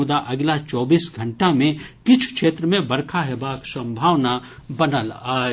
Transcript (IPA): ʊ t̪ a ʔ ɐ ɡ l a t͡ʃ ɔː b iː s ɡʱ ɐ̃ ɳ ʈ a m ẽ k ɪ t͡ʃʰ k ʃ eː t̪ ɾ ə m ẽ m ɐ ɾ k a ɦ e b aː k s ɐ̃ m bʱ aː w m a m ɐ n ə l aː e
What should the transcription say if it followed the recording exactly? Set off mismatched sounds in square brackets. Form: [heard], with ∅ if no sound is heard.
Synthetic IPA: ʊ [d̪] a ʔ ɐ ɡ l a t͡ʃ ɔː b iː s ɡʱ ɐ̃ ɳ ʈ a m ẽ k ɪ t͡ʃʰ k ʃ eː t̪ ɾ ə m ẽ [b] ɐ ɾ [kʰ] a ɦ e b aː k s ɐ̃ m bʱ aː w [n] a [b] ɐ n ə l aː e

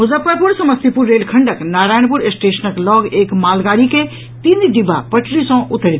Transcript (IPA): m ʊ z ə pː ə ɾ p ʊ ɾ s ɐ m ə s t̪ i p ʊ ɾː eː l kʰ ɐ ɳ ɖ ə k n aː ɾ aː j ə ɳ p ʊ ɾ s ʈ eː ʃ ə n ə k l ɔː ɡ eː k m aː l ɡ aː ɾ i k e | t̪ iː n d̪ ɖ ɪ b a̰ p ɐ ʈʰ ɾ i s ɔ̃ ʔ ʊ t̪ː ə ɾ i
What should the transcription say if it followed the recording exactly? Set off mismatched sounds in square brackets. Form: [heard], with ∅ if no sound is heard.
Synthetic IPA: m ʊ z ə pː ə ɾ p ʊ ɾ s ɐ m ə s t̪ i p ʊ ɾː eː l kʰ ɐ ɳ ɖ ə k n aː ɾ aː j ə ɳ p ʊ ɾ s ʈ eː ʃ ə n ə k l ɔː ɡ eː k m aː l ɡ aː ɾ i k e | t̪ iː n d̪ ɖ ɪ b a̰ p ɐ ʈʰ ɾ i s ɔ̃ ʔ ʊ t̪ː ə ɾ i

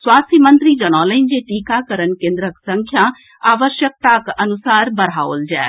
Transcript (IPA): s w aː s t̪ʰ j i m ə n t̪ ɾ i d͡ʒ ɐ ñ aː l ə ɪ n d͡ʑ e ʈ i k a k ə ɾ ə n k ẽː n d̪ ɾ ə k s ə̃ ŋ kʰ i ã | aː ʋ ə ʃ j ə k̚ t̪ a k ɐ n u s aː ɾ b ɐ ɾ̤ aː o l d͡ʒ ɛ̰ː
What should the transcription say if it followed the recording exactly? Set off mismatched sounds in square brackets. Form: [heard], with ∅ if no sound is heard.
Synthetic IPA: s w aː s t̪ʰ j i m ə n t̪ ɾ i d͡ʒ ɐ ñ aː l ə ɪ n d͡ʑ e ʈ i k a k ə ɾ ə n k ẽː n d̪ ɾ ə k s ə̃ ŋ kʰ [j] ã | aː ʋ ə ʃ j ə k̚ t̪ a k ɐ n u s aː ɾ b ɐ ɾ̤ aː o l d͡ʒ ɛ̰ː

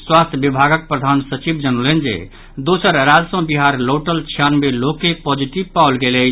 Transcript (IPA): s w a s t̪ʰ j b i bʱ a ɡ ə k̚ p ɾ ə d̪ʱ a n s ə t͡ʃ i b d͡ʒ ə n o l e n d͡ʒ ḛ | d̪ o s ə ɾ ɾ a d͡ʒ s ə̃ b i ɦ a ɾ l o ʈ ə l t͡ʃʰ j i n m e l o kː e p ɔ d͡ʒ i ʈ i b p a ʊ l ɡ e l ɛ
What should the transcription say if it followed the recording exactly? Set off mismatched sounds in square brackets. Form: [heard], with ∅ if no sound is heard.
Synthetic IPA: s w a s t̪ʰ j b i bʱ a ɡ ə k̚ p ɾ ə d̪ʱ a n s ə t͡ʃ i b d͡ʒ ə n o l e n d͡ʒ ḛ | d̪ o s ə ɾ ɾ a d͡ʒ s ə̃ b i ɦ a ɾ l o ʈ ə l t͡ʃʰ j [a] n m e l o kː e p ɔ d͡ʒ i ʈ i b p a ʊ l ɡ e l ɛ

